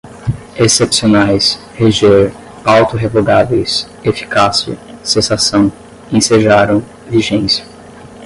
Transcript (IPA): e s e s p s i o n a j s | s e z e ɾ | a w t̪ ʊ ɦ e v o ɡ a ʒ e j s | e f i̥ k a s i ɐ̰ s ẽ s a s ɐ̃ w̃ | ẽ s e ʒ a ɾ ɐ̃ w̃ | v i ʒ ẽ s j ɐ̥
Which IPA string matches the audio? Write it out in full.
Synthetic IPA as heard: e s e p s i o n a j s | h e ʒ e ɾ | a w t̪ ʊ ɦ e v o ɡ a v e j s | e f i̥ k a s i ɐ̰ s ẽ s a s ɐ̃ w̃ | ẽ s e ʒ a ɾ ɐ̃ w̃ | v i ʒ ẽ s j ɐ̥